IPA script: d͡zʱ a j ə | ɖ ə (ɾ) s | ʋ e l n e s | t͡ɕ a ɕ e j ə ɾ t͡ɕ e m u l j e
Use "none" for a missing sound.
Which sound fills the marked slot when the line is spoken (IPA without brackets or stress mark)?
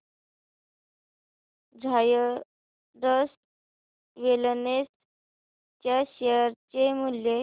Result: none